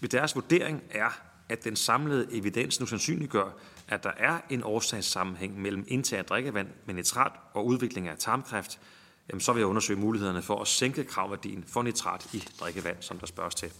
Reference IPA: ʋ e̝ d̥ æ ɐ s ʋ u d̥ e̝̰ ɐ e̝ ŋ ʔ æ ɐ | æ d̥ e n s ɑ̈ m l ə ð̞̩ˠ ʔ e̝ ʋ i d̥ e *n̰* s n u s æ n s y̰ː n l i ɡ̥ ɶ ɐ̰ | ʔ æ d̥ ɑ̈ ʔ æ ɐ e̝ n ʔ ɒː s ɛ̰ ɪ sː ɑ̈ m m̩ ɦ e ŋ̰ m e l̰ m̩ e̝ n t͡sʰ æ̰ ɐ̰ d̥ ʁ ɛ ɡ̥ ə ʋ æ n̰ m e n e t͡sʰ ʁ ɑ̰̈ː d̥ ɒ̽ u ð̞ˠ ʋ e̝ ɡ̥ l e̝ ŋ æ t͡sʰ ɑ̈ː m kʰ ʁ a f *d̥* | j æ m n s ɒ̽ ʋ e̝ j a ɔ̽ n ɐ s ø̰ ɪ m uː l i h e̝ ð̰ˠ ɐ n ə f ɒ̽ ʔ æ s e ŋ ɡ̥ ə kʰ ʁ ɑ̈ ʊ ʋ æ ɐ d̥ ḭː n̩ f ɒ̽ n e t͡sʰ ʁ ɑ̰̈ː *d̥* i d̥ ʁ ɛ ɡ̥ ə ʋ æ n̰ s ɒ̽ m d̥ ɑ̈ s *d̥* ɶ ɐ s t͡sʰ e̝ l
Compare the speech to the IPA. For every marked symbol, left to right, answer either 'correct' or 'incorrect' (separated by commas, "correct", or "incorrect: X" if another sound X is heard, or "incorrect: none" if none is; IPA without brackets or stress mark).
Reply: correct, correct, correct, incorrect: b̥